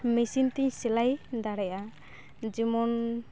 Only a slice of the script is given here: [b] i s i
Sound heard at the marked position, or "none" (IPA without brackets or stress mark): m